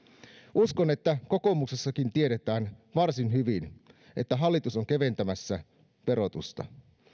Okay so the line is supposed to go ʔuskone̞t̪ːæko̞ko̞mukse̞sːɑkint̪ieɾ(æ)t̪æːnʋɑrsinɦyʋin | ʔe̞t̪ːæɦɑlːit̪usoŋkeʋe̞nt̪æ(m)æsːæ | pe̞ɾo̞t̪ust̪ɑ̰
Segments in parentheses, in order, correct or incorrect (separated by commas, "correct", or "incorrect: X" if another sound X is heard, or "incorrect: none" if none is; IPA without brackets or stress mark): incorrect: e, correct